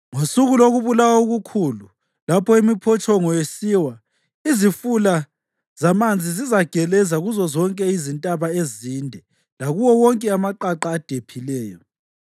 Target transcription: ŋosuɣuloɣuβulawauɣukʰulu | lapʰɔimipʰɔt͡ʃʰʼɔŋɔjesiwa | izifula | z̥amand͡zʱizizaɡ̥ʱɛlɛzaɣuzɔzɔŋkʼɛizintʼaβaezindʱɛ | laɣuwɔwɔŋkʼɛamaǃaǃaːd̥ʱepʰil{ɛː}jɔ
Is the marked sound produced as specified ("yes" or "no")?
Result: yes